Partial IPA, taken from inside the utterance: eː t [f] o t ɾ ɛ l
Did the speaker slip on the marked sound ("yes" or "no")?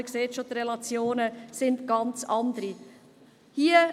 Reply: yes